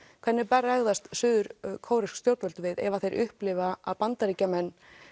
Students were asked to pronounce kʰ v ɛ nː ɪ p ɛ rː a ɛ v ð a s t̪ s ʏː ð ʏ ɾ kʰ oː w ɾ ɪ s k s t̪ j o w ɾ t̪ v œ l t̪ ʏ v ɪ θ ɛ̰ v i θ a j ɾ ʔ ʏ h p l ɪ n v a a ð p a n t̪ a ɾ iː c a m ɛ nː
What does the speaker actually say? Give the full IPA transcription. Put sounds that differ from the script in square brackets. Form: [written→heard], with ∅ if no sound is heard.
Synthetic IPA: kʰ v ɛ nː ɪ p ɛ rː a ɛ [v→ɣ] ð a s t̪ s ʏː ð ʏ ɾ kʰ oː w ɾ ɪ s k s t̪ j o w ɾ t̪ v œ l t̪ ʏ v ɪ [θ→ð] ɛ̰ v [i→a] θ [a→e] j ɾ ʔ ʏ h p l ɪ [n→∅] v a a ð p a n t̪ a ɾ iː c a m ɛ nː